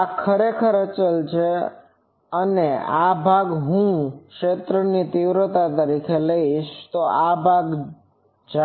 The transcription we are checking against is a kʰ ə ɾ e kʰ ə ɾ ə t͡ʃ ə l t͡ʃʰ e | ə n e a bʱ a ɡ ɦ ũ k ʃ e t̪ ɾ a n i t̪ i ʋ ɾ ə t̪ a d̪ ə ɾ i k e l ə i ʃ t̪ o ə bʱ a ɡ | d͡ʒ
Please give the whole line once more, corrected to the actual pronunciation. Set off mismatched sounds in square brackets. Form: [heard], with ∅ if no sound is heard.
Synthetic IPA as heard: a kʰ ə ɾ e kʰ ə ɾ ə t͡ʃ ə l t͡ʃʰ e | ə n e a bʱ a ɡ ɦ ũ k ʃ e t̪ ɾ [ə] n i t̪ i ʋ ɾ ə t̪ a [t̪] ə ɾ i [kʰ] e l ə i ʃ t̪ o [a] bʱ a ɡ | d͡ʒ